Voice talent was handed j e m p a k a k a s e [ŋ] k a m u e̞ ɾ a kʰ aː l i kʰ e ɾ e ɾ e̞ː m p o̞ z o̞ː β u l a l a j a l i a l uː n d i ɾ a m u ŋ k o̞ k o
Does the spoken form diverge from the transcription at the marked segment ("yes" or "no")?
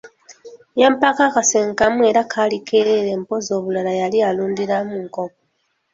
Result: no